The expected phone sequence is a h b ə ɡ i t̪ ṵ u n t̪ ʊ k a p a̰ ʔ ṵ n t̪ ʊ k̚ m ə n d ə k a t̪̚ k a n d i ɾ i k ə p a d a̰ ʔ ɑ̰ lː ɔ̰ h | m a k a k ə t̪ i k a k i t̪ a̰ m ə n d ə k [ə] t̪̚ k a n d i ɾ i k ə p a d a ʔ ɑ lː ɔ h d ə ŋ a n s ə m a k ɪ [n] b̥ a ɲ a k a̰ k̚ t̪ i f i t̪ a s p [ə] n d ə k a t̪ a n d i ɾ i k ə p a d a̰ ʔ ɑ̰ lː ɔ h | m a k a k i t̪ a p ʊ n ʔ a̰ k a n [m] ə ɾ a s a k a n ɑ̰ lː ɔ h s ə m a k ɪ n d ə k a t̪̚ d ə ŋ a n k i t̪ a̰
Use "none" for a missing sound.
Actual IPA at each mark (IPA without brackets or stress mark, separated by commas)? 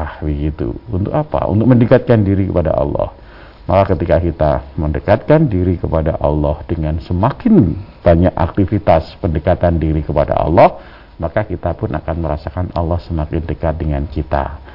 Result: a, n, ə, m